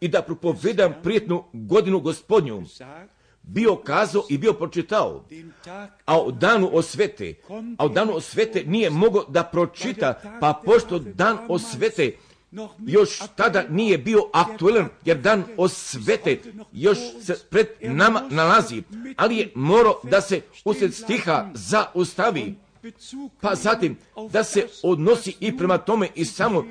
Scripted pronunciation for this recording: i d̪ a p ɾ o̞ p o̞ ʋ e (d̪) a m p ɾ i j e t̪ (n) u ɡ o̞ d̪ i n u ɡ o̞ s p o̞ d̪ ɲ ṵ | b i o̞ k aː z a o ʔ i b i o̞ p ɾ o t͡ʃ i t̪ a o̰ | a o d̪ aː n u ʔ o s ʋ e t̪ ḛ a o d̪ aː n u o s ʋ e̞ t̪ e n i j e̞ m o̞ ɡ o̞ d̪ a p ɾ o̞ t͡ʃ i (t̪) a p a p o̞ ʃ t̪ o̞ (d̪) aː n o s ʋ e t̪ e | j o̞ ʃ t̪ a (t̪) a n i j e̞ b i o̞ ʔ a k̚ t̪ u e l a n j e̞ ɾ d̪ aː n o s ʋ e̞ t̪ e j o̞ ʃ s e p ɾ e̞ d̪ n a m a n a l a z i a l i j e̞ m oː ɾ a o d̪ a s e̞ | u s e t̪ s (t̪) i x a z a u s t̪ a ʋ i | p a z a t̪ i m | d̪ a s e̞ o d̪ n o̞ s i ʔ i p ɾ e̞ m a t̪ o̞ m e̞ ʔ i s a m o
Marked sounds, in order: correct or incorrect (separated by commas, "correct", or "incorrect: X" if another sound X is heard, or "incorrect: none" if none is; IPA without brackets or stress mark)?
correct, correct, correct, correct, incorrect: d̪, correct